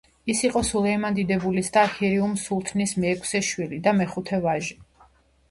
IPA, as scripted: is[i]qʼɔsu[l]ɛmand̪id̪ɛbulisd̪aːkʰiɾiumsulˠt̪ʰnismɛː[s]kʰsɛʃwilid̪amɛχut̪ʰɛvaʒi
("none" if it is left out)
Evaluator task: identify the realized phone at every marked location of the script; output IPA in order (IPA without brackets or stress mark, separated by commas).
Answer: i, l, none